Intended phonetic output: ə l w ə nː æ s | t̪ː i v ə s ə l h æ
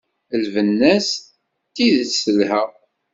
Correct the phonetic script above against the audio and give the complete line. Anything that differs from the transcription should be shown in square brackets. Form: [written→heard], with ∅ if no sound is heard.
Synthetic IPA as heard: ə l [w→v] ə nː æ s | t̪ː i [v→ð] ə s ə l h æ